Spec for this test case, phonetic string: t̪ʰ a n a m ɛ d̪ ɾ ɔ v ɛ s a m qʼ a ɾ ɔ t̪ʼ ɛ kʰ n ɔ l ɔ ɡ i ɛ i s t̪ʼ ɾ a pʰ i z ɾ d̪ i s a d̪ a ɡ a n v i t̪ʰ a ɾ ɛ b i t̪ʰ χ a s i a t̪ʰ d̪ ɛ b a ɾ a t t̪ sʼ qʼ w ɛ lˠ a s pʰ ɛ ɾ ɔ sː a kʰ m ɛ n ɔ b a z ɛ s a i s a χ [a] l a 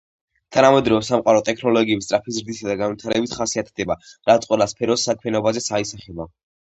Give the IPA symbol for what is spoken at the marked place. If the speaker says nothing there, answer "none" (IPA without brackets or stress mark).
ɛ